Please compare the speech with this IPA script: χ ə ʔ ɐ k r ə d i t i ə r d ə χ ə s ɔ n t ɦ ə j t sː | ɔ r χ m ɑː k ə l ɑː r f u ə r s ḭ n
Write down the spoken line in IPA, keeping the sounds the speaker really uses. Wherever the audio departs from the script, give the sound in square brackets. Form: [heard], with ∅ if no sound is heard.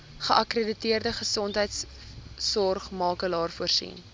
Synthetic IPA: χ ə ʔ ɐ k r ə d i t i ə r d ə χ ə s ɔ n t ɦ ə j t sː | ɔ r χ m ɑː k ə l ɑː r f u ə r s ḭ n